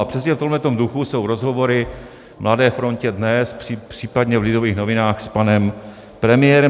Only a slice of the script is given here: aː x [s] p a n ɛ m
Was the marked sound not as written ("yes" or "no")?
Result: no